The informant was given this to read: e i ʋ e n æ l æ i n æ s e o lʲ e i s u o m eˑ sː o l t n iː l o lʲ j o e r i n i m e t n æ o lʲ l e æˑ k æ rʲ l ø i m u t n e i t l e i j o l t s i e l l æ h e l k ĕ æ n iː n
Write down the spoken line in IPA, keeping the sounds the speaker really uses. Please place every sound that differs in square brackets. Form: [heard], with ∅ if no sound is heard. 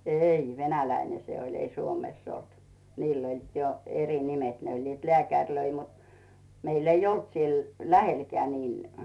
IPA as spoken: e i ʋ e n æ l æ i n [e] s e o lʲ e i s u o m eˑ sː o l t n iː l o lʲ j o e r i n i m e t n [e] o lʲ l e æˑ k æ rʲ l ø i m u t [m] e i [∅] l e i j o l t s i e l l æ h e l k ĕ æ n iː n